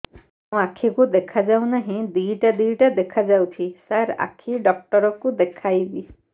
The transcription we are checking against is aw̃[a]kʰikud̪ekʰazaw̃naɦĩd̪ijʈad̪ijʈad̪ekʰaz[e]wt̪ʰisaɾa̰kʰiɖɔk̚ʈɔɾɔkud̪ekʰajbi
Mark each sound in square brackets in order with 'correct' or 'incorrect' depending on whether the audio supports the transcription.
correct, incorrect: a

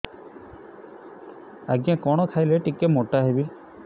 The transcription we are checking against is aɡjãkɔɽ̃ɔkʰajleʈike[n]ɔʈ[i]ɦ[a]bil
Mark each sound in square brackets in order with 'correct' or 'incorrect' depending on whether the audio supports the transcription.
incorrect: m, incorrect: a, incorrect: e

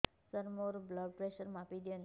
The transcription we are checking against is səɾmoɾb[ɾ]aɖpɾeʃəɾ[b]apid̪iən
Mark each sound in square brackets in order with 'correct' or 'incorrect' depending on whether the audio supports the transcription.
incorrect: l, incorrect: m

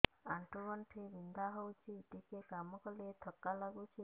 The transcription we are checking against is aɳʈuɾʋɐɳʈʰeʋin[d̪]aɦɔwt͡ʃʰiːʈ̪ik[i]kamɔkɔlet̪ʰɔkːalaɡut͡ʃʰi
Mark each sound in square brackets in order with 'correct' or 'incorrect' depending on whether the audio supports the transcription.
correct, incorrect: e

